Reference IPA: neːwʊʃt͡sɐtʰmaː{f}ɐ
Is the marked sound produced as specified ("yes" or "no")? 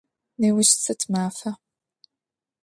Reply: yes